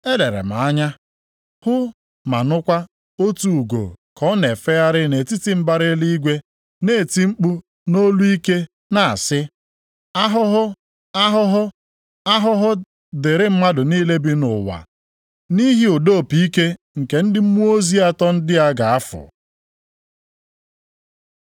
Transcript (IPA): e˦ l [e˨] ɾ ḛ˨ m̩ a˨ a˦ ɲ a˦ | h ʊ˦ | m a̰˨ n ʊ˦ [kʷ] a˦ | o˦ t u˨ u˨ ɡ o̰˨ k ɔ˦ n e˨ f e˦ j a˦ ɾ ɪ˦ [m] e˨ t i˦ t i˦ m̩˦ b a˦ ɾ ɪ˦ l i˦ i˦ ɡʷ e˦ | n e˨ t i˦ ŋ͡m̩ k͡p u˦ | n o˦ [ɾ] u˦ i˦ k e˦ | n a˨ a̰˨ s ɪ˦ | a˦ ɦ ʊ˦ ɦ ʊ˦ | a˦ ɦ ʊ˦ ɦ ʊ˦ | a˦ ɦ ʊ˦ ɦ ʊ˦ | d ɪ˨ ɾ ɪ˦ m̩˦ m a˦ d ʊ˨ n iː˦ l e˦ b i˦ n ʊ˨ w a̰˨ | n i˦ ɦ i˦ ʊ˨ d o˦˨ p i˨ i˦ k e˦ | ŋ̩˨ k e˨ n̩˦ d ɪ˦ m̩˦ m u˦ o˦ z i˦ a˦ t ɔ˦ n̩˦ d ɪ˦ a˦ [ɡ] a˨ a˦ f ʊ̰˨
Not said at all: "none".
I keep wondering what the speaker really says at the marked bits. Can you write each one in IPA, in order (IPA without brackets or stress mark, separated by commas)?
e˨, kʷ, n, l, ɡ